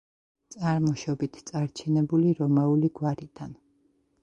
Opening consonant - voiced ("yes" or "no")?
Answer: no